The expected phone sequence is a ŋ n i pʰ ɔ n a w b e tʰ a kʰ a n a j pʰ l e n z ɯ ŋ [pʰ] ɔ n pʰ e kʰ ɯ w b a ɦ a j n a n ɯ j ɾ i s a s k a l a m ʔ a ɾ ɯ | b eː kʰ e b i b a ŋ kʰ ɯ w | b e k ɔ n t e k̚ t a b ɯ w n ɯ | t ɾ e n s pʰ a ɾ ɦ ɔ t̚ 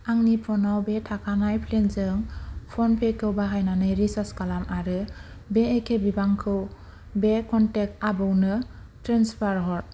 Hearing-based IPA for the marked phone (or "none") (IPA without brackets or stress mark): pʰ